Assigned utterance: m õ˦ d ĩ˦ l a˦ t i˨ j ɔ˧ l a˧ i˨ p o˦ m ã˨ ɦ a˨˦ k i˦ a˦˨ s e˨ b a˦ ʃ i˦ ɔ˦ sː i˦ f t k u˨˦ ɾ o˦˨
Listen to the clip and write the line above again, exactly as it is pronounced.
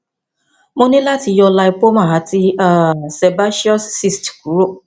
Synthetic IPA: m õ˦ n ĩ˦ l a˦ t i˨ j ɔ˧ l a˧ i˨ p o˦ m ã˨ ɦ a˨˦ t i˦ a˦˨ s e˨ b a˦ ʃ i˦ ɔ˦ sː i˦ s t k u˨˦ ɾ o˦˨

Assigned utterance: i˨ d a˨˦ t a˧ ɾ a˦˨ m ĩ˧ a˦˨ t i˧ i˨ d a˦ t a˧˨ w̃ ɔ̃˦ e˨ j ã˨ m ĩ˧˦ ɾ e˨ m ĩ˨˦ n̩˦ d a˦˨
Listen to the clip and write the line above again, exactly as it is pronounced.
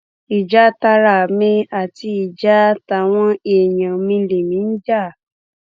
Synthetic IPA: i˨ d͡ʒ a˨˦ t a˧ ɾ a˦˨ m ĩ˧ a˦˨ t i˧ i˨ d͡ʒ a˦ t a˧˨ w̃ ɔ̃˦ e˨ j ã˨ m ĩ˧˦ l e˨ m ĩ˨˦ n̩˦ d͡ʒ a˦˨

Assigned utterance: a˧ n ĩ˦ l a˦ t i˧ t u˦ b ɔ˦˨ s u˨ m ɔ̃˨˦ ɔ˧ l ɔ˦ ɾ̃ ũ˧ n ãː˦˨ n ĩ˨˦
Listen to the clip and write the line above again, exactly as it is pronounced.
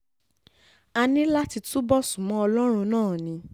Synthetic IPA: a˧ n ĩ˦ l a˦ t i˧ t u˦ b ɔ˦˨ s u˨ m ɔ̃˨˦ ɔ˧ l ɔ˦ ɾ̃ ũ˧ n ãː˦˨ n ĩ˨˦

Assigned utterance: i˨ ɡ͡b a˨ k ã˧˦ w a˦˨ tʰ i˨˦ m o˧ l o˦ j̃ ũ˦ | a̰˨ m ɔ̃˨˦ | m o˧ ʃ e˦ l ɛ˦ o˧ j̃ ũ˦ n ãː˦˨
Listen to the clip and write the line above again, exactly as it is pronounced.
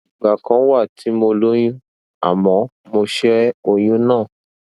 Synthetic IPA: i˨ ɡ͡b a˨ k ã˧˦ w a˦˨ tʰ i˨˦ m o˧ l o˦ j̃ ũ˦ | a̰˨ m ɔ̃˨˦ | m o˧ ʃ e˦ ɾ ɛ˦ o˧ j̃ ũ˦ n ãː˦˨

